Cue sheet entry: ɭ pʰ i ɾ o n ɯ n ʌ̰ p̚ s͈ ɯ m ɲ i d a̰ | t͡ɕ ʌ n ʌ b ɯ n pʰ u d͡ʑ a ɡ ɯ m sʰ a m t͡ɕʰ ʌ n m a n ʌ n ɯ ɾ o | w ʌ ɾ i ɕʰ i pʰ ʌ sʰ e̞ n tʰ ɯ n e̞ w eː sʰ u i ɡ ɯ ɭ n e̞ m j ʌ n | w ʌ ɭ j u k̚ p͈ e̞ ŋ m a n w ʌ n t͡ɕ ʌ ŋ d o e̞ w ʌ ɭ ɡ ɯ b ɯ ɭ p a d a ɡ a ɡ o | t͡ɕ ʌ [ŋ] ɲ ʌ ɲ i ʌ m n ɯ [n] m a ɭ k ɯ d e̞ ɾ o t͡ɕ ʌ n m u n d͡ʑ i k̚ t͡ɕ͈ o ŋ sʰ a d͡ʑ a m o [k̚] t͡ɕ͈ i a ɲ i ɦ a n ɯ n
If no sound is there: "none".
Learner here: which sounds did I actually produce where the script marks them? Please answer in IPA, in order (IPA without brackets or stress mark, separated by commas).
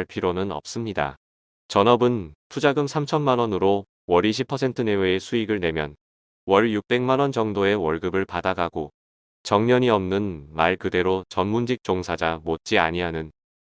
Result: ŋ, n, t̚